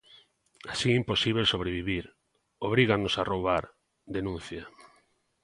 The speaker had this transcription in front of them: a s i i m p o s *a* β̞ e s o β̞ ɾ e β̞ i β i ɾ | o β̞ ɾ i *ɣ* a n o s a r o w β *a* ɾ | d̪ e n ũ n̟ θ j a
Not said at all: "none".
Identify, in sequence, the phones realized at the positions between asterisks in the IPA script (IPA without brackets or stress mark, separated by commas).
i, ɣ, a